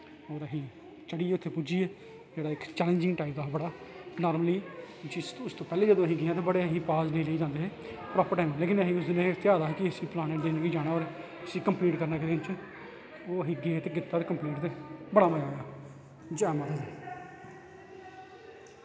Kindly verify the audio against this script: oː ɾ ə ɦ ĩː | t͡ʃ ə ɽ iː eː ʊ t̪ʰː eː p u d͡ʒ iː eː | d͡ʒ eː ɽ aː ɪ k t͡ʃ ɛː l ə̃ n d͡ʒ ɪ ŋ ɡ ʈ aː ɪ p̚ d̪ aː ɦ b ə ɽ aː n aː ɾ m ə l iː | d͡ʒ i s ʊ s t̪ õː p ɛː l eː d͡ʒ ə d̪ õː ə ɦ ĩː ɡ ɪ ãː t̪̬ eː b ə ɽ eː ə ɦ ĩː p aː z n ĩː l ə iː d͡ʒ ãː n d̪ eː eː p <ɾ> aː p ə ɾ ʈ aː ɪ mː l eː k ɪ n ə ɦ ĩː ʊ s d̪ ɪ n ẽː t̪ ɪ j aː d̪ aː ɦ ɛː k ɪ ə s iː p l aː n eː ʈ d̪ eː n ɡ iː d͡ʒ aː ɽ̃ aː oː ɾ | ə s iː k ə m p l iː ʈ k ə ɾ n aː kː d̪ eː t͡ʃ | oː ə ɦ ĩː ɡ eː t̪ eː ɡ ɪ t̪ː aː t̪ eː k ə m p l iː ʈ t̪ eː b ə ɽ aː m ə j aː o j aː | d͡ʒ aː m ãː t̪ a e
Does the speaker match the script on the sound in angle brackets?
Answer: yes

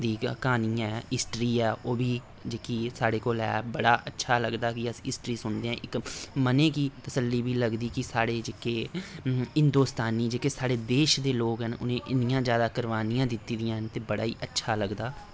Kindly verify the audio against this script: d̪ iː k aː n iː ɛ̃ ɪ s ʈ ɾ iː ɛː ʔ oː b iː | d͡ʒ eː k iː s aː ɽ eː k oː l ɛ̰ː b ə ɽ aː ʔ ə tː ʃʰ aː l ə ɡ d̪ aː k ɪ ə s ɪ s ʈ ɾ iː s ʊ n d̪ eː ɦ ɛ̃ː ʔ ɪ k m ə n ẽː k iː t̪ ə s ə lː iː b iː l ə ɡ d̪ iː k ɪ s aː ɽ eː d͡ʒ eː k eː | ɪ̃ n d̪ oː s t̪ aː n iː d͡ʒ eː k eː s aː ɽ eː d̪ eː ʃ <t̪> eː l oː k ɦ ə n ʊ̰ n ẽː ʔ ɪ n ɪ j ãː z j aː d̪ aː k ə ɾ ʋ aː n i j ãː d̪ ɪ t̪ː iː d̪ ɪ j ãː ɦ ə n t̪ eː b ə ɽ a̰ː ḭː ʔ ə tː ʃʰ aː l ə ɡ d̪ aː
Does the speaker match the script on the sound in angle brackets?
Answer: no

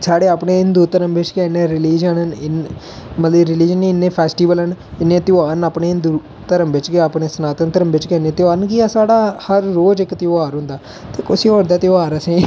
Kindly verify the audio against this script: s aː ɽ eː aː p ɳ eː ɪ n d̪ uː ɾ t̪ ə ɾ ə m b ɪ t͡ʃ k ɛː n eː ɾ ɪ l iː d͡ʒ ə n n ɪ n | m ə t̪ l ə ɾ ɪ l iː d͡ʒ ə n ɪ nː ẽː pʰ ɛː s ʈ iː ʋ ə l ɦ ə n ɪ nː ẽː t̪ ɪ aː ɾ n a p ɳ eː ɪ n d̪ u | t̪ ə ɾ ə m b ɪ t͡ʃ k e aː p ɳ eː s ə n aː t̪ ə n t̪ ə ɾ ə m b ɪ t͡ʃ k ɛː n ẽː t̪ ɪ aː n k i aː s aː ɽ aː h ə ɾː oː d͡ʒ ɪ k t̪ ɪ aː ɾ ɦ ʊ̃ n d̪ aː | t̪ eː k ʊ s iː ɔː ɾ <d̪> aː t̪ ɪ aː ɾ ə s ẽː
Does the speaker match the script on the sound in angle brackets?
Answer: yes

